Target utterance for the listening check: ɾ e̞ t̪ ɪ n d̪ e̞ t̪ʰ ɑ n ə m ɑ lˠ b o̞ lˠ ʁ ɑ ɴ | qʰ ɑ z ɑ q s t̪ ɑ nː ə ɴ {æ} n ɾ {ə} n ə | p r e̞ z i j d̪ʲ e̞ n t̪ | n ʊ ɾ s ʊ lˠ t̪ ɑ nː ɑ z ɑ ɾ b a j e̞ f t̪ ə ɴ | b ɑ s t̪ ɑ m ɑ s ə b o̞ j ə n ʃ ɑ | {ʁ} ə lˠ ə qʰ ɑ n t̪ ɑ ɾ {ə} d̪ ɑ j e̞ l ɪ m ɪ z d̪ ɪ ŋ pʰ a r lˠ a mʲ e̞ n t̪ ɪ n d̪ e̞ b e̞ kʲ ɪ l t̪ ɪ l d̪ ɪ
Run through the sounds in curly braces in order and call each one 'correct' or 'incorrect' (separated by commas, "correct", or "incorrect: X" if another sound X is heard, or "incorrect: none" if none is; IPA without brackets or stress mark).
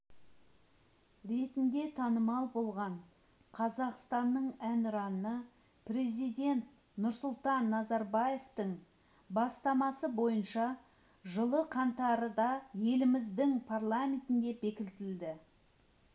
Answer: correct, incorrect: ɑ, incorrect: ʒ, correct